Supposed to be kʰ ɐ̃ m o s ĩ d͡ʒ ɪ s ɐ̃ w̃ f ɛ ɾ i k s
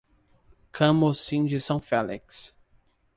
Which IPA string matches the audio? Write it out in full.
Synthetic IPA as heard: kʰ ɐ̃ m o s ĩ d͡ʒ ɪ s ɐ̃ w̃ f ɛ l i k s

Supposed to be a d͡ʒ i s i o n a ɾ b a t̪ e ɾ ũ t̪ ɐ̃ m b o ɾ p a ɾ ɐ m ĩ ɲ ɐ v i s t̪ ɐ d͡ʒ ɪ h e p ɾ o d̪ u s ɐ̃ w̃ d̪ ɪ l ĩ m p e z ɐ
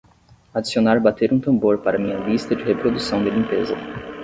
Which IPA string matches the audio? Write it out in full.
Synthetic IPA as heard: a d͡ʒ i s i o n a ɾ b a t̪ e ɾ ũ t̪ ɐ̃ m b o ɾ p a ɾ ɐ m ĩ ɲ ɐ v i s t̪ ɐ d͡ʒ ɪ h e p ɾ o d̪ u s ɐ̃ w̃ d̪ ɪ l ĩ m p e z ɐ

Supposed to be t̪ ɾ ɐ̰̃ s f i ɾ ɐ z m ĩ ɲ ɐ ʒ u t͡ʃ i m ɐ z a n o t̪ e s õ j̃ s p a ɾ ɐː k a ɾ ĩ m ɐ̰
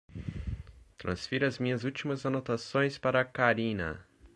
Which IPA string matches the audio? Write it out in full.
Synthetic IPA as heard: t̪ ɾ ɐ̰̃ s f i ɾ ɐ z m ĩ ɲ ɐ z u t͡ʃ i m ɐ z a n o t̪ a s õ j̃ s p a ɾ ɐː k a ɾ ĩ n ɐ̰

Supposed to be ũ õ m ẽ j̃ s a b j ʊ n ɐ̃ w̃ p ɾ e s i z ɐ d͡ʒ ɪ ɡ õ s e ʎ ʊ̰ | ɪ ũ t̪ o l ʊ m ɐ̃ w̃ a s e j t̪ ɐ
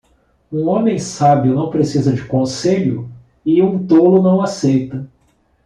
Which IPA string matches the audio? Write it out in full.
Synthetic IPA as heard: ũ õ m ẽ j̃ s a b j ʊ n ɐ̃ w̃ p ɾ e s i z ɐ d͡ʒ ɪ k õ s e ʎ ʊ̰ | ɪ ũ t̪ o l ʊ n ɐ̃ w̃ a s e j t̪ ɐ

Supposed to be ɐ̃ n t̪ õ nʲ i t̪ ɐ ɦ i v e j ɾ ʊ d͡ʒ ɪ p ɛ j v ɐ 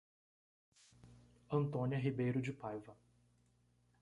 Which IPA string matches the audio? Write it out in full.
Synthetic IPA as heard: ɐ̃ n t̪ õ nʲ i ɐ ɦ i b e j ɾ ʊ d͡ʒ ɪ p a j v ɐ

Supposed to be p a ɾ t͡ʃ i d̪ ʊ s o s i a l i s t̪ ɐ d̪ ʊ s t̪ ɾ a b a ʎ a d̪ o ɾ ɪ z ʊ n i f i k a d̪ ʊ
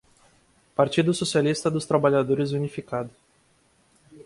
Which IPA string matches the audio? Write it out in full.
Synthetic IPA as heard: p a ɾ t͡ʃ i d̪ ʊ s o s i a l i s t̪ ɐ d̪ ʊ s t̪ ɾ a b a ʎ a d̪ o ɾ ɪ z u n i f i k a d̪ ʊ

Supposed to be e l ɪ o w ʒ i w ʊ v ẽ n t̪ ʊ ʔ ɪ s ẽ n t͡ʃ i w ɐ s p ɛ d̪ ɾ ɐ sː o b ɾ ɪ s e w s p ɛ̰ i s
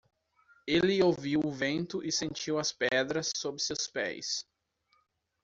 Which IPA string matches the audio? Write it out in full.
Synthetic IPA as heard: e l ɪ o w v i w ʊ v ẽ n t̪ ʊ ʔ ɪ s ẽ n t͡ʃ i w ɐ s p ɛ d̪ ɾ ɐ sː o b ɾ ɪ s e w s p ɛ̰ j s

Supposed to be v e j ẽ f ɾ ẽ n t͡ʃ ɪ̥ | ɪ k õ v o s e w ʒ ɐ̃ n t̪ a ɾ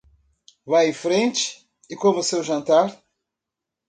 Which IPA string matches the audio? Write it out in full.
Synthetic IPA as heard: v a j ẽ f ɾ ẽ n t͡ʃ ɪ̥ | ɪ k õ v o s e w ʒ ɐ̃ n t̪ a ɾ

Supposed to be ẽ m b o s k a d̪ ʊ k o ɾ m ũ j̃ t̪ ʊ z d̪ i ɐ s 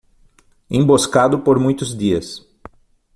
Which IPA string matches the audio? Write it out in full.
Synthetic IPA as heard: ẽ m b o s k a d̪ ʊ p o ɾ m ũ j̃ t̪ ʊ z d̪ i ɐ s

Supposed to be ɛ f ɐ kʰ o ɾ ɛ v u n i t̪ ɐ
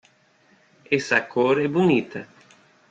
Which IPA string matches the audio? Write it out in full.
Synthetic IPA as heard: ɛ s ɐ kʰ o ɾ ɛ b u n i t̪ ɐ

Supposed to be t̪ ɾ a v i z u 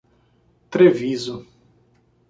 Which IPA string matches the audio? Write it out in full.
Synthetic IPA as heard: t̪ ɾ e v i z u

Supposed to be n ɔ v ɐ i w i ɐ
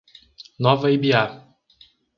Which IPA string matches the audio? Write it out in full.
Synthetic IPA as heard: n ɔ v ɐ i b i a

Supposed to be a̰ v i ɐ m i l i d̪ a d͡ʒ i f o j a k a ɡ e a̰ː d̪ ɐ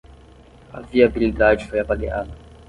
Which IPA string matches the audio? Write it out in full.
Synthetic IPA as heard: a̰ v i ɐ b i l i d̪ a d͡ʒ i f o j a p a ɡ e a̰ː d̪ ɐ

